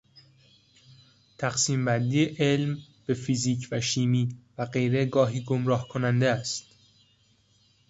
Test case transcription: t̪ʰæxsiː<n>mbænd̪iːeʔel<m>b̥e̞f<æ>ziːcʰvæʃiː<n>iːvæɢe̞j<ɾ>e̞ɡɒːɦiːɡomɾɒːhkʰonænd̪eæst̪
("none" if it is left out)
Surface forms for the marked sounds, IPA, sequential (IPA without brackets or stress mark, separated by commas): none, m, i, m, ɾ